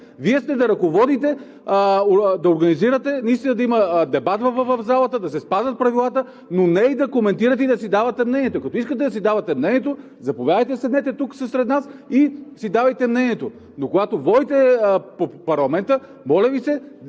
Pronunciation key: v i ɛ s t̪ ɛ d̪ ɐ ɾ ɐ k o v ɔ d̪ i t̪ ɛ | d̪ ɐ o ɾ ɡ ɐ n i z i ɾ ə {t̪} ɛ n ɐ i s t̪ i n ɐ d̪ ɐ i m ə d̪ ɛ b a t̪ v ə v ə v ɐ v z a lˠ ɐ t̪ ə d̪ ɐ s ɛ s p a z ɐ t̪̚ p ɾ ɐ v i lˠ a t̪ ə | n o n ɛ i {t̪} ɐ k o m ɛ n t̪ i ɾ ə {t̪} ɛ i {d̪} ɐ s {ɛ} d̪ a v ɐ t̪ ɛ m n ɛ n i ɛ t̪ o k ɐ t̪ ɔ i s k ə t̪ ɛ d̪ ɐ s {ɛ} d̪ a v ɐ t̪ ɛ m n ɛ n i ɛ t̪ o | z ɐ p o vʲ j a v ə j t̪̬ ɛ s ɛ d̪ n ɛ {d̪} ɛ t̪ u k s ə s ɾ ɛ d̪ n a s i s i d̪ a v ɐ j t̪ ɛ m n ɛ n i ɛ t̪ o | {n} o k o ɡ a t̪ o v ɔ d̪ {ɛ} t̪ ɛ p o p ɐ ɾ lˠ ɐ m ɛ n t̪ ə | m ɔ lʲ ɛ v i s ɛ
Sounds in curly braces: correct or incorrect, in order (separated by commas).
correct, incorrect, correct, correct, incorrect, incorrect, incorrect, correct, incorrect